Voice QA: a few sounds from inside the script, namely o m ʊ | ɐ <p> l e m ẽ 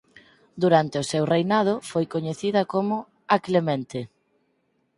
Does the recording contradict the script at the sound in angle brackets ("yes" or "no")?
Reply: yes